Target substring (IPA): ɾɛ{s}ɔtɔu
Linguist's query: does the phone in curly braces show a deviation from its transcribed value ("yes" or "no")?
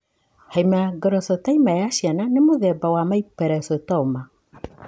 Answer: no